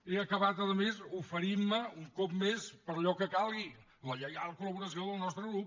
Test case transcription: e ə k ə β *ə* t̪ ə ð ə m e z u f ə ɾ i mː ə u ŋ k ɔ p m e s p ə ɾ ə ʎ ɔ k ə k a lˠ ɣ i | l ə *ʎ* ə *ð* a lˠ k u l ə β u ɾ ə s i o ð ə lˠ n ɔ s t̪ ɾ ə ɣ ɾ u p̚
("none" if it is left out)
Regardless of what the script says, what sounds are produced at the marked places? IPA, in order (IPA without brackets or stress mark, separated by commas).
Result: a, ʎ, ɣ